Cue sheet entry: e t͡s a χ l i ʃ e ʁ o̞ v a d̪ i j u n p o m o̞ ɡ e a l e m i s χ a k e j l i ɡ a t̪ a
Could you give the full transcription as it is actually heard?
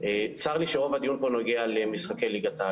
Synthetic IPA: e t͡s a ʁ l i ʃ e ʁ o̞ v a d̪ i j u n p o n o̞ ɡ e a l e m i s χ a k e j l i ɡ a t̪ a